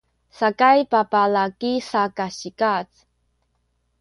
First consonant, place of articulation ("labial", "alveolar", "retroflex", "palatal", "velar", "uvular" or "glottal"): alveolar